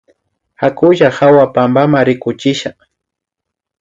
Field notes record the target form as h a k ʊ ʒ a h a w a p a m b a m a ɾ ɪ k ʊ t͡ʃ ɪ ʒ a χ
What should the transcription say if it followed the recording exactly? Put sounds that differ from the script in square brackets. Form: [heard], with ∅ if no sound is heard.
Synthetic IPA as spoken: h a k ʊ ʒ a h a w a p a m b a m a ɾ ɪ k ʊ t͡ʃ ɪ [ʃ] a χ